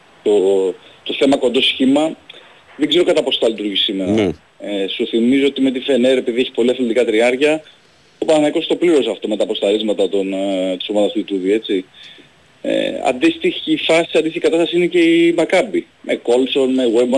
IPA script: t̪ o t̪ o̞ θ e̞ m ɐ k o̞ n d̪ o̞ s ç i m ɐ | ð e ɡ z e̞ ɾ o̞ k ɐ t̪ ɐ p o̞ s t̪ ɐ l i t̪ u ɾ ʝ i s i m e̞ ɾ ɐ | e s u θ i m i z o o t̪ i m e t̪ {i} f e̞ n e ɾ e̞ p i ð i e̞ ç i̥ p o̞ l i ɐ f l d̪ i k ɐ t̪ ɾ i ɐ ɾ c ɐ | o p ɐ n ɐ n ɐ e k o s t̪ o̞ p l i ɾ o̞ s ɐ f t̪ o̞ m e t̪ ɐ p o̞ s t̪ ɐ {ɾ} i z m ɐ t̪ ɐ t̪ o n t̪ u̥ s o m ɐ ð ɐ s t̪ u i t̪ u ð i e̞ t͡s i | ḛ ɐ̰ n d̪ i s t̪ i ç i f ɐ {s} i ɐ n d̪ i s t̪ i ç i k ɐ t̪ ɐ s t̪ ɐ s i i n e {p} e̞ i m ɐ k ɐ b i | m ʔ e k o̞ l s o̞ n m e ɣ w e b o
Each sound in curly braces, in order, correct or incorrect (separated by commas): correct, correct, correct, incorrect